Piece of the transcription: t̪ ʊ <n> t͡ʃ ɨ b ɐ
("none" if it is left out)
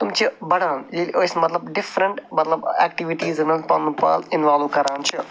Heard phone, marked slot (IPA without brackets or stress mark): m